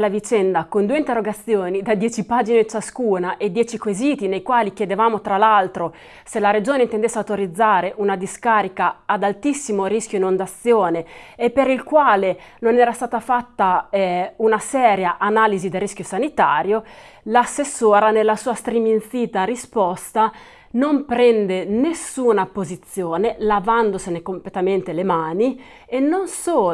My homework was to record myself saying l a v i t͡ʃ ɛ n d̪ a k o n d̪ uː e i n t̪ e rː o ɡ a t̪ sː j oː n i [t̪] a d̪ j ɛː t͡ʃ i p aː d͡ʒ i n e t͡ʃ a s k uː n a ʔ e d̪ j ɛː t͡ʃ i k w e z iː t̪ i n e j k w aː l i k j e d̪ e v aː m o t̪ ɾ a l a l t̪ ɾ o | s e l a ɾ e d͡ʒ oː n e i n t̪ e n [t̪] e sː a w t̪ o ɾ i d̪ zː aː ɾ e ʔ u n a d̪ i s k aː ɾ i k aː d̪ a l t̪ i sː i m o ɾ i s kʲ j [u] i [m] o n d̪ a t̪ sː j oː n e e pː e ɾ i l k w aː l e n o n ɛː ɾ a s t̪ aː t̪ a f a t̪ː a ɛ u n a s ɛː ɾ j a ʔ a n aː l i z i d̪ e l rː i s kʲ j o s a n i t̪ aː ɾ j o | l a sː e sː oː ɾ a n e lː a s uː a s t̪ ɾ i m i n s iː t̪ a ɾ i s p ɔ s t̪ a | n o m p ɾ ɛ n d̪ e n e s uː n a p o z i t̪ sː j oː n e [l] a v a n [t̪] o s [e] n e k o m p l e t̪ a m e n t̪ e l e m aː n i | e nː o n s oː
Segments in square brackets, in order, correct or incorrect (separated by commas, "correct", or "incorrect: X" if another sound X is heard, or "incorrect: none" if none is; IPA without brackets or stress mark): incorrect: d̪, incorrect: d̪, incorrect: o, incorrect: n, correct, incorrect: d̪, correct